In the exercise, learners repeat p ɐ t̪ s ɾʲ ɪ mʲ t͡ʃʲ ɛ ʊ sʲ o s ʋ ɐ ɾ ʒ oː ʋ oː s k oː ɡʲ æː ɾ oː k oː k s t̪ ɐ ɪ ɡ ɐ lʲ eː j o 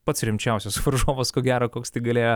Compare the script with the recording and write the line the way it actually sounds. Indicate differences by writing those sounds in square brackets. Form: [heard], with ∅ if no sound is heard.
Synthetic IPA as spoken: p ɐ t̪ s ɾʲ ɪ mʲ t͡ʃʲ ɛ ʊ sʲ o s ʋ ɐ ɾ ʒ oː ʋ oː s k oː ɡʲ æː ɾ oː k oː k s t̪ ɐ ɪ ɡ ɐ lʲ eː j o